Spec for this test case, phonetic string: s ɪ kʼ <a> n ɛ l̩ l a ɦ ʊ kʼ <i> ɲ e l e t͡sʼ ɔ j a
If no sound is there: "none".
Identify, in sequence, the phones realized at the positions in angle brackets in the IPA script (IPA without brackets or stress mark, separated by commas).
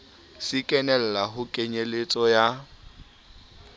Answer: ɛ, e